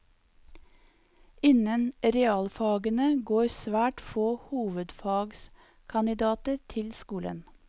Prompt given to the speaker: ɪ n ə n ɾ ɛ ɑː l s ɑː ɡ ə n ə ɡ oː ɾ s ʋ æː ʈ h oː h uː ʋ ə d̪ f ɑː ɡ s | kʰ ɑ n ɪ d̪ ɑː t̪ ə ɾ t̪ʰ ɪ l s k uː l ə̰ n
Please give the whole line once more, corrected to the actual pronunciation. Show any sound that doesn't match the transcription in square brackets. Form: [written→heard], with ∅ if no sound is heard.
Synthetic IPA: ɪ n ə n ɾ ɛ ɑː l [s→f] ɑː ɡ ə n ə ɡ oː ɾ s ʋ æː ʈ [h→f] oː h uː ʋ ə d̪ f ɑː ɡ s | kʰ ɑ n ɪ d̪ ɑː t̪ ə ɾ t̪ʰ ɪ l s k uː l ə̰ n